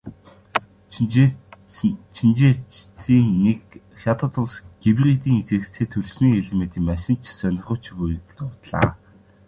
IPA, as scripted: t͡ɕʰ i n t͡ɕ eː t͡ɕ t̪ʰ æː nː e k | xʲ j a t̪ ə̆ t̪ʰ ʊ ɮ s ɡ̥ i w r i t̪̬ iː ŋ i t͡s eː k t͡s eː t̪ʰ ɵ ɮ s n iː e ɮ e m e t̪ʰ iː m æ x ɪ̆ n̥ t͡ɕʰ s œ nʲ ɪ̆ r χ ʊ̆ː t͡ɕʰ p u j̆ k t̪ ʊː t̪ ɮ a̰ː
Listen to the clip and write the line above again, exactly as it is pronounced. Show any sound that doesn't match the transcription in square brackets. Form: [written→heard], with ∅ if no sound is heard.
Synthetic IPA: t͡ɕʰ i n t͡ɕ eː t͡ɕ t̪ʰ [æː→iː] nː e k | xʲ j a t̪ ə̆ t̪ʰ ʊ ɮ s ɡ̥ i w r i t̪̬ iː ŋ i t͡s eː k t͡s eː t̪ʰ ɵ ɮ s n iː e ɮ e m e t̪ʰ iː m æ [x→ʃ] ɪ̆ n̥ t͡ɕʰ s œ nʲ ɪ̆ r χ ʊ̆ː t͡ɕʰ p u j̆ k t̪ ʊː t̪ ɮ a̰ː